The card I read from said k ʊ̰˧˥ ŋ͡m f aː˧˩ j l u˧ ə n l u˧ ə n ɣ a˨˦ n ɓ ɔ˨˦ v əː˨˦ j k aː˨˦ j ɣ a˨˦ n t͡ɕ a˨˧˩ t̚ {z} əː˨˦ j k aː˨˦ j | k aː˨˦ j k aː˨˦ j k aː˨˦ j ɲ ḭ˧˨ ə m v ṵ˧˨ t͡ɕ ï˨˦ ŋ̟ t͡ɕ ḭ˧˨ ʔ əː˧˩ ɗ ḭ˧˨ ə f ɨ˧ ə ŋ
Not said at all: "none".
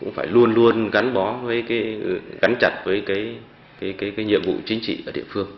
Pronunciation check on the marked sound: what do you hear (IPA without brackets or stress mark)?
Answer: v